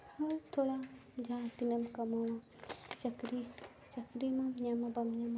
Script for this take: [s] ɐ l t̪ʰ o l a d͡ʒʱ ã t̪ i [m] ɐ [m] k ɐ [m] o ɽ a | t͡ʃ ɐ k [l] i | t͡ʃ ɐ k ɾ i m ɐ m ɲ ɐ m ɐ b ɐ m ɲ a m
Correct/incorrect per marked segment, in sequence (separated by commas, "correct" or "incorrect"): incorrect, incorrect, correct, correct, incorrect